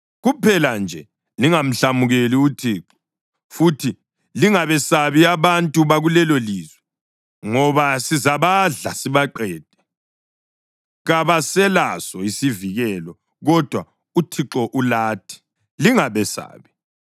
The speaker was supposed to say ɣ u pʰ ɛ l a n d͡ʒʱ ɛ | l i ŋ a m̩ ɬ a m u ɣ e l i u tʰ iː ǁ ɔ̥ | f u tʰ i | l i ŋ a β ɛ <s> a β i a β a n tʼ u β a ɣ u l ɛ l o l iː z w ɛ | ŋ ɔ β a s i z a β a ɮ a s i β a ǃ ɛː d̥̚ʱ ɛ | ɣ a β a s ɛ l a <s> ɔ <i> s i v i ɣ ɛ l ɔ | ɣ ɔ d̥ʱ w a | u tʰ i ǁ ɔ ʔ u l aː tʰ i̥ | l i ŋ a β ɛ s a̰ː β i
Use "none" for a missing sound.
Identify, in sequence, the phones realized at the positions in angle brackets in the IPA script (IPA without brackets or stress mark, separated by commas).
s, s, i